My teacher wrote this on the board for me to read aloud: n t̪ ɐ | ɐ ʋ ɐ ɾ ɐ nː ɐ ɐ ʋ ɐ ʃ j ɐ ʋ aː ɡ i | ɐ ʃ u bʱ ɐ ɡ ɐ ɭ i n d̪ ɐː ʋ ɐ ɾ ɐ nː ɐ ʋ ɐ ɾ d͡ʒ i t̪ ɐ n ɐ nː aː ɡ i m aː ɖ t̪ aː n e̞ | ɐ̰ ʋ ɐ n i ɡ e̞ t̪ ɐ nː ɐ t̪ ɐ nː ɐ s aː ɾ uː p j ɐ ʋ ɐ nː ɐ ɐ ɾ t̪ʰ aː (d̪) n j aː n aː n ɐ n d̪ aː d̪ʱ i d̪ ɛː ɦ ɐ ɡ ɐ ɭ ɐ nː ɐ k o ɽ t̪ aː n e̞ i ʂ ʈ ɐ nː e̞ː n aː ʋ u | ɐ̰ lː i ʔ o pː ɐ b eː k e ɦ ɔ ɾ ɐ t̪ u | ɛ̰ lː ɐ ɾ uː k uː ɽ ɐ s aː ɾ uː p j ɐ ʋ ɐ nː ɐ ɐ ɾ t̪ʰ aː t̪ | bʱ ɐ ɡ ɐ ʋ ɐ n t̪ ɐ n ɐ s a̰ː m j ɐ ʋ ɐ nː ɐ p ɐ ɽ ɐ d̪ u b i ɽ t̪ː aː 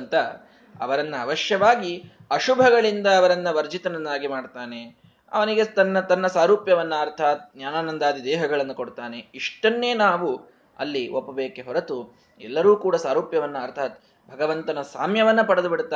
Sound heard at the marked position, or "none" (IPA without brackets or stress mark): t̪